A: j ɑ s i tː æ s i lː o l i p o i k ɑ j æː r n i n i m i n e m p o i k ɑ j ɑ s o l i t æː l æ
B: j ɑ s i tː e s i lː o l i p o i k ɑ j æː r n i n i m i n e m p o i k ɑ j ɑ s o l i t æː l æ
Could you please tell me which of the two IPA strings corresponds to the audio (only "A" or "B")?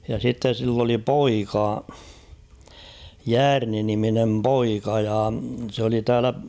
B